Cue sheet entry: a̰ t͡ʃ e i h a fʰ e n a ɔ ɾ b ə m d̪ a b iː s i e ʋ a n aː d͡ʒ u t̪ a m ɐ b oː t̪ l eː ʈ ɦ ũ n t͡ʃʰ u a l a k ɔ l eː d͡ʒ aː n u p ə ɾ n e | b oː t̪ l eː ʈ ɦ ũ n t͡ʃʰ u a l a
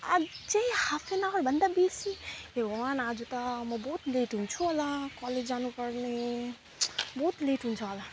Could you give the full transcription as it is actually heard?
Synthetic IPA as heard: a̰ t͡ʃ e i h a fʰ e n a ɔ ɾ b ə n d̪ a b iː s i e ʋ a n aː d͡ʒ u t̪ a m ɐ b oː t̪ l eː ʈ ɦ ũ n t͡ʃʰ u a l a k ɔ l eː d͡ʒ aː n u p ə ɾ n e | b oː t̪ l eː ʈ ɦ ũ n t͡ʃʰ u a l a